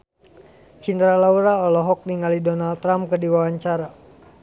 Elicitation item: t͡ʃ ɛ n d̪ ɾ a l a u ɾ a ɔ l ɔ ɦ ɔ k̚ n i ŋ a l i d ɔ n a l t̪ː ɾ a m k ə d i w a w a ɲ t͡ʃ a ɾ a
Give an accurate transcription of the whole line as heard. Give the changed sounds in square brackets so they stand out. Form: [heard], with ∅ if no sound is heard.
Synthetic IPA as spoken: t͡ʃ [i] n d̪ ɾ a l a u ɾ a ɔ l ɔ ɦ ɔ k̚ n i ŋ a l i d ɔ n a l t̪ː ɾ a m k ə d i w a w a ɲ t͡ʃ a ɾ a